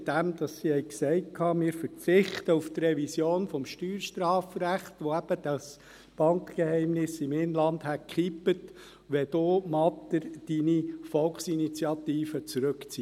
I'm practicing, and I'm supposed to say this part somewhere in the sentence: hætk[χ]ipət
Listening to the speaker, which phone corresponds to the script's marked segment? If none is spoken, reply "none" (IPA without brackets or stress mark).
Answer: χ